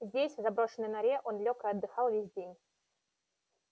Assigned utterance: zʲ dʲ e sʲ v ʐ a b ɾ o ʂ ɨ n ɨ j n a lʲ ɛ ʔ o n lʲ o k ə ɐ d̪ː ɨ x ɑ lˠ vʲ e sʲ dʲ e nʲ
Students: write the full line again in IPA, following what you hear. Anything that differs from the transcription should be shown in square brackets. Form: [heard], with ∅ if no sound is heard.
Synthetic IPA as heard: zʲ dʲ e sʲ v [z] a b ɾ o ʂ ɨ n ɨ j n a [ɾʲ] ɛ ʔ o n lʲ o k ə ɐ d̪ː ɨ x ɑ lˠ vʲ e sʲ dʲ e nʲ